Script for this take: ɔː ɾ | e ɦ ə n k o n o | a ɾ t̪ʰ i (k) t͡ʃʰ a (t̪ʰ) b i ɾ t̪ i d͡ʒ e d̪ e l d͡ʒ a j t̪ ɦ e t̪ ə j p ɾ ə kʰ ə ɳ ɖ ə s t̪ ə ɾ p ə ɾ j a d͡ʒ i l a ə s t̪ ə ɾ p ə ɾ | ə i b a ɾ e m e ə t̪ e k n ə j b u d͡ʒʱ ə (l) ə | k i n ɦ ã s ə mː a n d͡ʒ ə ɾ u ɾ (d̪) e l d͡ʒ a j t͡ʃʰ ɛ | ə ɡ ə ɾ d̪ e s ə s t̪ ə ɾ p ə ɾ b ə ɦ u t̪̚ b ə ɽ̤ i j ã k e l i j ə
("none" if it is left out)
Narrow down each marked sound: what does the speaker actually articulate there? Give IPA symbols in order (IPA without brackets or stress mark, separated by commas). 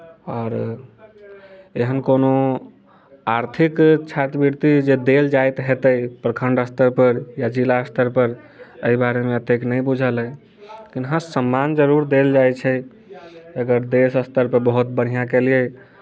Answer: k, t̪, l, d̪